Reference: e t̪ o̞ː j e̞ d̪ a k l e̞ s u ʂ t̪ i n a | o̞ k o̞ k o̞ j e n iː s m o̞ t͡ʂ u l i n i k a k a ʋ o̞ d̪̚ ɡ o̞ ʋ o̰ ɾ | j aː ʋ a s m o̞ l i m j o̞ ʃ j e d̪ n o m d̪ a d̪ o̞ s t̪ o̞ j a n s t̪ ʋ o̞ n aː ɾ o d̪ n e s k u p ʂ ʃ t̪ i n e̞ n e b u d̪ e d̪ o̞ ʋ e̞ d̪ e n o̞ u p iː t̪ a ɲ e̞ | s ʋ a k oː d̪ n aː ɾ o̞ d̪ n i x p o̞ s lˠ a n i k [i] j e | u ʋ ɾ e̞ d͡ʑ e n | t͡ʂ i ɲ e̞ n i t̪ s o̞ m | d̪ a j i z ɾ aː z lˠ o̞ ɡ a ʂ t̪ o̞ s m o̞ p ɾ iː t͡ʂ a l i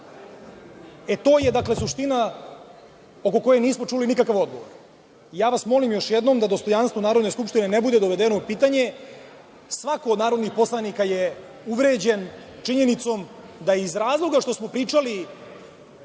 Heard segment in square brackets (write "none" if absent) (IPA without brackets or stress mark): a